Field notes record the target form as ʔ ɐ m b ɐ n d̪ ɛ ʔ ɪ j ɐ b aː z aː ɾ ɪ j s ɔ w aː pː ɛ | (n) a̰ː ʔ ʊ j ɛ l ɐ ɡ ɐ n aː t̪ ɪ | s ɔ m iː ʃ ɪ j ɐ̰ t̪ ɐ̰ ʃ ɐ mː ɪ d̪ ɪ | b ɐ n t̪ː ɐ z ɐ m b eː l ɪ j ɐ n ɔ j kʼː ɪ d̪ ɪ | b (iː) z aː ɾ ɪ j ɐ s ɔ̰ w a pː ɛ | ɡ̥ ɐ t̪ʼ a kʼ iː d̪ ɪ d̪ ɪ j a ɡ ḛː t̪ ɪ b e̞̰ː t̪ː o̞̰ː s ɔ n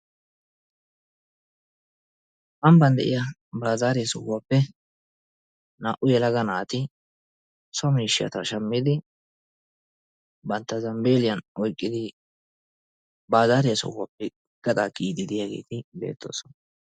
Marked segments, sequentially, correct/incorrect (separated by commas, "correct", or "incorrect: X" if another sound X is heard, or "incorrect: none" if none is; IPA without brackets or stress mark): correct, incorrect: aː